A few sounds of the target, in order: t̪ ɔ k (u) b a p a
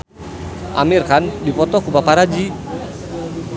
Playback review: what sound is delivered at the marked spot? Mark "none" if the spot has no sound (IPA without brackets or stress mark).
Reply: u